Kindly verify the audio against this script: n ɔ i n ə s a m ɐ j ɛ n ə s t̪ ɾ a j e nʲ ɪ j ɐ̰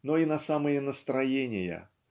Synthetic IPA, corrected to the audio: n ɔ i n ɐ s a m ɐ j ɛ n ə s t̪ ɾ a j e nʲ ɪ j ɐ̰